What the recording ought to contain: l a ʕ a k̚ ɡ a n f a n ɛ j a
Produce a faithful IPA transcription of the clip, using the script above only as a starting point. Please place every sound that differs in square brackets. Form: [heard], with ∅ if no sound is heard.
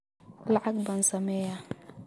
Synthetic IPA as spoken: l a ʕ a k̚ [b] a n [s] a [m] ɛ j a